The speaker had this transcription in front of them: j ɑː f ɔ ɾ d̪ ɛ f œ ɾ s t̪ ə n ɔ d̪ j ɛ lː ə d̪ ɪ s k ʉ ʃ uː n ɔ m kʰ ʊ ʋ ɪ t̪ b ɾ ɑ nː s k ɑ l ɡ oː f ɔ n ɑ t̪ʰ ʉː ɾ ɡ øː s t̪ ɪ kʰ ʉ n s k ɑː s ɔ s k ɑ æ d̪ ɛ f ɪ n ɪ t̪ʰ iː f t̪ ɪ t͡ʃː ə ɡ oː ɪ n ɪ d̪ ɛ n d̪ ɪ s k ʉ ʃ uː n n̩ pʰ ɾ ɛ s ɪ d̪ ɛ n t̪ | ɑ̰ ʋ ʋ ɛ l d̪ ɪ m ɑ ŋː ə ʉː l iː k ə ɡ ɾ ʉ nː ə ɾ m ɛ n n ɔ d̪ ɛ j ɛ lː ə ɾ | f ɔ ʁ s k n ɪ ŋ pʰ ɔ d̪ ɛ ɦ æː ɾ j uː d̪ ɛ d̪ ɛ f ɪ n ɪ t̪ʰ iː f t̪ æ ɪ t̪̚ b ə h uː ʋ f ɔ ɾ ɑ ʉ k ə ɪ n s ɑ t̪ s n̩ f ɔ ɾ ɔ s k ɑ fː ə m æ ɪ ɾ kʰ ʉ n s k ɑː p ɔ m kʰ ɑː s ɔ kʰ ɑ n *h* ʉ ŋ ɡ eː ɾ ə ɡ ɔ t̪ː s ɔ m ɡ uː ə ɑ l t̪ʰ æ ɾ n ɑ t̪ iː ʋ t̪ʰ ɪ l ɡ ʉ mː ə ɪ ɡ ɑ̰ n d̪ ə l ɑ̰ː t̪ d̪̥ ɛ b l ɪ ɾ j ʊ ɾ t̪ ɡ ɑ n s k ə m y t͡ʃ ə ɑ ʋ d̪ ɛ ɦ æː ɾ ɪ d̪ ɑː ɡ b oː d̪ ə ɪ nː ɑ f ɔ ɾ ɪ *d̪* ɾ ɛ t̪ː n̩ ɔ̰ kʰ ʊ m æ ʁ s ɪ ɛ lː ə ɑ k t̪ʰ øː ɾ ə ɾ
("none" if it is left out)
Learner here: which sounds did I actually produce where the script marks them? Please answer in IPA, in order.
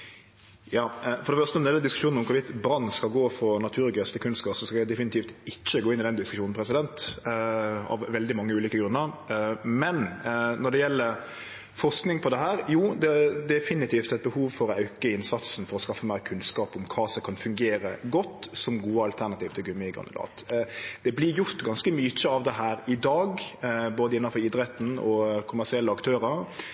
f, d̪

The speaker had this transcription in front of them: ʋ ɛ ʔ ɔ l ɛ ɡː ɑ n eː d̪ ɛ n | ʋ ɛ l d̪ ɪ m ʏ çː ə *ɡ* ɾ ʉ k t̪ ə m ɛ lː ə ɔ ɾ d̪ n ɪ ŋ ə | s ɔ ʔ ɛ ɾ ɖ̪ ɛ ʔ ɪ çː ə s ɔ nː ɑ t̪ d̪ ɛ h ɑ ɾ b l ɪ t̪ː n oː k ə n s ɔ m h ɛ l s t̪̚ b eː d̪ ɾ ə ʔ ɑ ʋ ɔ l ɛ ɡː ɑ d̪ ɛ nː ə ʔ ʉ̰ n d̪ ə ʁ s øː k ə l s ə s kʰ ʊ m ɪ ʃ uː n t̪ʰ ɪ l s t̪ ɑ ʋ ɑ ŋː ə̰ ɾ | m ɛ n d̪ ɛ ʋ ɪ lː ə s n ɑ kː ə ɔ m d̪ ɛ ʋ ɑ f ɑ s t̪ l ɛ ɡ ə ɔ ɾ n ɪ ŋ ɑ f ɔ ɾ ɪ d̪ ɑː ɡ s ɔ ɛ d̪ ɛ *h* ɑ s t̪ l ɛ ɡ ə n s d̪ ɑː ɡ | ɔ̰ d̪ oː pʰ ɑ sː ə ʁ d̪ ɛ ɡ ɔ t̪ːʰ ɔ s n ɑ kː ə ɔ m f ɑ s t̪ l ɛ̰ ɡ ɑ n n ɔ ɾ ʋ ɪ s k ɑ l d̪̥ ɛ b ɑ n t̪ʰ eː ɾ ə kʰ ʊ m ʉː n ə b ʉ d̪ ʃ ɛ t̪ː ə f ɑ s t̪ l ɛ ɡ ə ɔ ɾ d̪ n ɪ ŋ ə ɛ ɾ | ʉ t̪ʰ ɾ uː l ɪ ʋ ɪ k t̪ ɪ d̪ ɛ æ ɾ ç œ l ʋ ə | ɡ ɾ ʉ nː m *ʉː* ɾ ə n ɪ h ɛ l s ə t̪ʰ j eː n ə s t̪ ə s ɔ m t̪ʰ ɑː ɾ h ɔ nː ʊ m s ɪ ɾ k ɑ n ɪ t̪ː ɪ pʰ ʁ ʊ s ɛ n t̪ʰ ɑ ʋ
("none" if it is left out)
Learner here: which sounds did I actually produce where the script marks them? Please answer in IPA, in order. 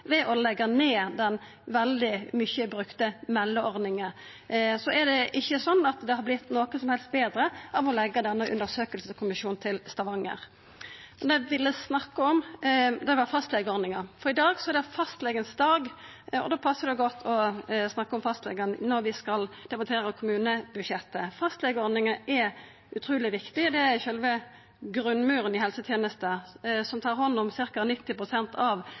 b, f, ʉː

